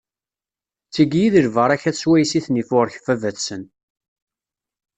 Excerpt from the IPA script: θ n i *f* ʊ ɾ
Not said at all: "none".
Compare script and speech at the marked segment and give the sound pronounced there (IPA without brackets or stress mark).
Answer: f